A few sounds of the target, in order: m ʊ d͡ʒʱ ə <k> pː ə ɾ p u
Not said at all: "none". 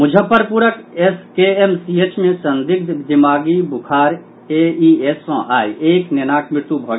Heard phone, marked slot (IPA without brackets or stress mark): none